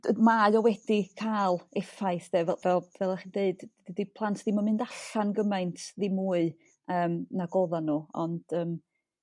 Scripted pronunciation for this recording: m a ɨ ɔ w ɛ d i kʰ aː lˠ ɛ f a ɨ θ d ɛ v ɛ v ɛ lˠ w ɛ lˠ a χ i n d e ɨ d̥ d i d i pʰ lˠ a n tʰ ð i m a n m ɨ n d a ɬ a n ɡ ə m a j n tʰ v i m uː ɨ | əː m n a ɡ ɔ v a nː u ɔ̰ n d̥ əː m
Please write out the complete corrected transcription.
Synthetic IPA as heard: m a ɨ ɔ w ɛ d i kʰ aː lˠ ɛ f a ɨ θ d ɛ v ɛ v ɛ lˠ v ɛ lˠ a χ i n d e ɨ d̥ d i d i pʰ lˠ a n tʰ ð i m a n m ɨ n d a ɬ a n ɡ ə m a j n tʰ ð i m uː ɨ | əː m n a ɡ ɔ ð a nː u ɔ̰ n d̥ əː m

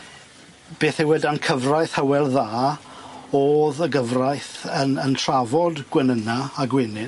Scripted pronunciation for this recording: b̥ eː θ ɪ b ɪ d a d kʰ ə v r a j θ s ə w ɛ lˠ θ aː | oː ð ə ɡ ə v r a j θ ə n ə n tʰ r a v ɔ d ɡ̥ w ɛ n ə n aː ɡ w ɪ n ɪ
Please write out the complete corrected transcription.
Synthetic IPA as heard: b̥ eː θ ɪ w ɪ d a n kʰ ə v r a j θ h ə w ɛ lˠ ð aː | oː ð ə ɡ ə v r a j θ ə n ə n tʰ r a v ɔ d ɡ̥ w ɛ n ə n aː ɡ w ɪ n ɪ

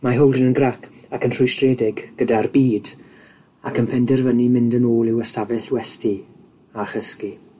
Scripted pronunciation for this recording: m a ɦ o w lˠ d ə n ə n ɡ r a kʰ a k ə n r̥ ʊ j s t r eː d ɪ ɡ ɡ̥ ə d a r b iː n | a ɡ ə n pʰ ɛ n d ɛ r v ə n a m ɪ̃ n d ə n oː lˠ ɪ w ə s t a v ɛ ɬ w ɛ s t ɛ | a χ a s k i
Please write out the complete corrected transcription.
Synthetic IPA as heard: m a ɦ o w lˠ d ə n ə n ɡ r a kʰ a k ə n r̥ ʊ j s t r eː d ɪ ɡ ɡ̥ ə d a r b iː d | a k ə n pʰ ɛ n d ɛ r v ə n i m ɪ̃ n d ə n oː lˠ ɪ w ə s t a v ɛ ɬ w ɛ s t i | a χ ə s k i

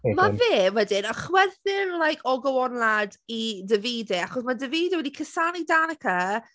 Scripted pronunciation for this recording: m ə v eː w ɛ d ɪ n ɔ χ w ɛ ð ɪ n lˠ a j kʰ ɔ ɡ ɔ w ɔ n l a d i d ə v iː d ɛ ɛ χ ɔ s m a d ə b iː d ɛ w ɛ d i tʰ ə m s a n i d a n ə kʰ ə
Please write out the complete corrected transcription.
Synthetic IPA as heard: m a v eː w ɛ d ɪ n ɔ χ w ɛ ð ɪ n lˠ a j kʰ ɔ ɡ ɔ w ɔ n l a d i d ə v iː d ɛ a χ ɔ s m a d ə v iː d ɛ w ɛ d i kʰ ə s a n i d a n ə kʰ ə

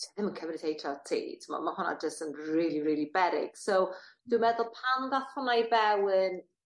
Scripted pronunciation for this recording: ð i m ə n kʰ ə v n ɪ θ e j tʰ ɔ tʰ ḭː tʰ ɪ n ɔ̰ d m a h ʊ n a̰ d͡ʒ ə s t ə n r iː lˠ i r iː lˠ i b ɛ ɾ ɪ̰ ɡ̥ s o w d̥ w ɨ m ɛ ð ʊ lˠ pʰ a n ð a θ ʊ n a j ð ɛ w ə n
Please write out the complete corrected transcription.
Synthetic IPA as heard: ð ɪ m ə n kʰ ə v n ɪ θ e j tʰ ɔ tʰ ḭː tʰ ɪ m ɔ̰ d m a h ʊ n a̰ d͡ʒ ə s t ə n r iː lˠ i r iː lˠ i b ɛ ɾ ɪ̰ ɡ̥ s o w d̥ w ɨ m ɛ ð ʊ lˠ pʰ a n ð a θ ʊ n a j v ɛ w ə n

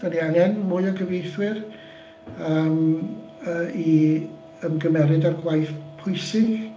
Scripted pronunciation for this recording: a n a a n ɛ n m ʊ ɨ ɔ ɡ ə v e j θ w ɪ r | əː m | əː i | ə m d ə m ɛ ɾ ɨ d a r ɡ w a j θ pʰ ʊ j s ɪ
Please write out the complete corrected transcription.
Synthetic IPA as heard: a n i a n ɛ n m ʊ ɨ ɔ ɡ ə v e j θ w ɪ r | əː m | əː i | ə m ɡ ə m ɛ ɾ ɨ d a r ɡ w a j θ pʰ ʊ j s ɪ

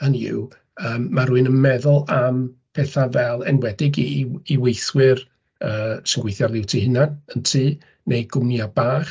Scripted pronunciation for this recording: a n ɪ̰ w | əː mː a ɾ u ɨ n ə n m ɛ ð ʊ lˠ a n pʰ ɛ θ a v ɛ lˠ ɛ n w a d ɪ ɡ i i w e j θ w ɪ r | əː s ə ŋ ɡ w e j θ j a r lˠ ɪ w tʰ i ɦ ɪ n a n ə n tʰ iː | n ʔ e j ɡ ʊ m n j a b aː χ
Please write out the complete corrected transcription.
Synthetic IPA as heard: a n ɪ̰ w | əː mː a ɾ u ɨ n ə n m ɛ ð ʊ lˠ a m pʰ ɛ θ a v ɛ lˠ ɛ n w ɛ d ɪ ɡ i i w e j θ w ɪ r | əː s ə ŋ ɡ w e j θ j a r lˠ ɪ w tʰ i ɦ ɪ n a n ə n tʰ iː | n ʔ e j ɡ ʊ m n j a b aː χ

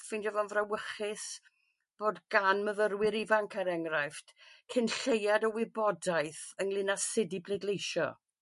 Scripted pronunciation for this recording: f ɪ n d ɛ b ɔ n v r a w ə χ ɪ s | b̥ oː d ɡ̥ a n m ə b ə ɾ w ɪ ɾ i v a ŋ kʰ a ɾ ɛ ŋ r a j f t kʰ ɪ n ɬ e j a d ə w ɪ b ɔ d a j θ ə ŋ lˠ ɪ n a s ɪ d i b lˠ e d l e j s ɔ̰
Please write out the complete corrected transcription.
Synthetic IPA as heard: f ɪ n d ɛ v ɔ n v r a w ə χ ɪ s | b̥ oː d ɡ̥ a n m ə v ə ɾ w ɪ ɾ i v a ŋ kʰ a ɾ ɛ ŋ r a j f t kʰ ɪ n ɬ e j a d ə w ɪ b ɔ d a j θ ə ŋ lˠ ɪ n a s ɪ d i b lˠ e d l e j ʃ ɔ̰

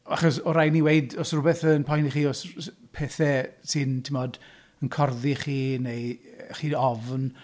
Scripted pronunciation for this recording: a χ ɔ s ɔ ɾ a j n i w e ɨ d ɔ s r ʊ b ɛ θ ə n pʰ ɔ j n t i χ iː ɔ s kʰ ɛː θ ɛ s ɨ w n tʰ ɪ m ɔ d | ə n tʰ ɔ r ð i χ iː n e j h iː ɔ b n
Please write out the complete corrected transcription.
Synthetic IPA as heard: a χ ɔ s ɔ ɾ a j n i w e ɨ d ɔ s r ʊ b ɛ θ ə n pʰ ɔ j n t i χ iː ɔ s pʰ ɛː θ ɛ s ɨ n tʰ ɪ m ɔ d | ə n kʰ ɔ r ð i χ iː n e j χ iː ɔ v n

